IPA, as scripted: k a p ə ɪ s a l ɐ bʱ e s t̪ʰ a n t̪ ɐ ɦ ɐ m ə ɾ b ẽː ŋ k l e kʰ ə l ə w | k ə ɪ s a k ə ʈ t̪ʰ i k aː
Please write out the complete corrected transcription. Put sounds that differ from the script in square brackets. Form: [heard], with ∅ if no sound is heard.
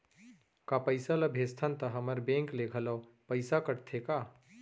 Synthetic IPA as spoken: k a p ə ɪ s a l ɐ bʱ e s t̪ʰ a n t̪ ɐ ɦ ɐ m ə ɾ b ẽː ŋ k l e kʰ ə l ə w | [p] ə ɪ s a k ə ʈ t̪ʰ [e] k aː